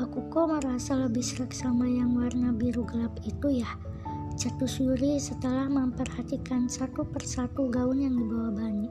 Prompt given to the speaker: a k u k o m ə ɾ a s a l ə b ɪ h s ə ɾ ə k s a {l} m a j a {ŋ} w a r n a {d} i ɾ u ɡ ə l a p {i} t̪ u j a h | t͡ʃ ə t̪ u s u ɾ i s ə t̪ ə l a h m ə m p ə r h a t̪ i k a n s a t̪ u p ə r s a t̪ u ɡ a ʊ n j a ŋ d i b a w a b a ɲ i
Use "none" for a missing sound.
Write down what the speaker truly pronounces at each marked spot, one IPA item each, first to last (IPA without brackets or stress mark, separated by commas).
none, ŋ, b, i